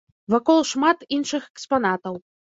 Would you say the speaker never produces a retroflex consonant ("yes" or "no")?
no